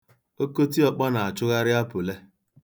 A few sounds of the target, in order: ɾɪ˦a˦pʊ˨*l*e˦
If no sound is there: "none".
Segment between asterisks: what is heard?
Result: l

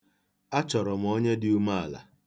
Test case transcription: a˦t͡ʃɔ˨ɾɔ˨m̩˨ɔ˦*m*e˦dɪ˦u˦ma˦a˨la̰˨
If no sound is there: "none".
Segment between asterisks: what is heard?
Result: ɲ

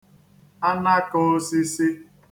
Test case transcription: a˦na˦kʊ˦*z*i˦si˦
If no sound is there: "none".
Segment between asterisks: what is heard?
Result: s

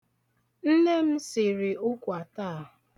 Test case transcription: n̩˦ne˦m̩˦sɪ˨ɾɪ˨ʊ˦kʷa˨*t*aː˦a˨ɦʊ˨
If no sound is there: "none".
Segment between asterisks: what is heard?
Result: t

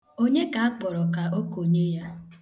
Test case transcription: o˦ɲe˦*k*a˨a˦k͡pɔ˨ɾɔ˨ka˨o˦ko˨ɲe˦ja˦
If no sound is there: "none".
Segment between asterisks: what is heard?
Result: k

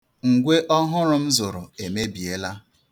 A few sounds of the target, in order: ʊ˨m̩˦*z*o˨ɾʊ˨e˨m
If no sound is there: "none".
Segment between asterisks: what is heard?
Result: z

